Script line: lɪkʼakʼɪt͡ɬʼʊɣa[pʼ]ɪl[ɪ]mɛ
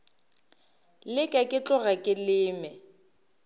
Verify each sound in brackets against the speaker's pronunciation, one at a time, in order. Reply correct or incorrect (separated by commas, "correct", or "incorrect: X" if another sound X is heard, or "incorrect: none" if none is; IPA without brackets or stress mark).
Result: incorrect: kʼ, incorrect: ɪː